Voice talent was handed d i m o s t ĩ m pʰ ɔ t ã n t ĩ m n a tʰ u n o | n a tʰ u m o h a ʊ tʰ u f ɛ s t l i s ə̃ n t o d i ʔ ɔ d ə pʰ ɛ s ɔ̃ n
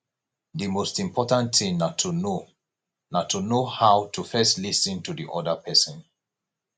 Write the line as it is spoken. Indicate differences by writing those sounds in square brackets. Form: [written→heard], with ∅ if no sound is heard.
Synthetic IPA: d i m o s t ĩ m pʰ ɔ t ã n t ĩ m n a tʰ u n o | n a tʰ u [m→n] o h a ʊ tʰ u f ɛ s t l i s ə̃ n t [o→u] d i ʔ ɔ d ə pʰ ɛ s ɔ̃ n